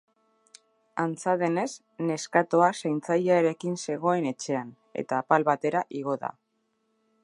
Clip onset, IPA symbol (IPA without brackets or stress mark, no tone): a